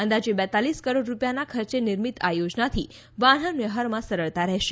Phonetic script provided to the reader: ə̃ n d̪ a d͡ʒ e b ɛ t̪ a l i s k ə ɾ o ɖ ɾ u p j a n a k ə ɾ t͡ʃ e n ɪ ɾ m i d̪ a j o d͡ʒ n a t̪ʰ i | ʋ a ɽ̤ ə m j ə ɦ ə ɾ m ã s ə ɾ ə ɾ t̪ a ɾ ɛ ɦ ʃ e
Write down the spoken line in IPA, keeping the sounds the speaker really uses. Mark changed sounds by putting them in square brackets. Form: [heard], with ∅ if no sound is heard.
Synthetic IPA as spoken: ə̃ n d̪ a d͡ʒ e b ɛ t̪ a l i s k ə ɾ o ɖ ɾ u p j a n a [kʰ] ə ɾ t͡ʃ e n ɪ ɾ m i [t̪] a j o d͡ʒ n a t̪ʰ i | ʋ a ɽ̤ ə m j ə ɦ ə ɾ m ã s ə ɾ ə [ɭ] t̪ a ɾ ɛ ɦ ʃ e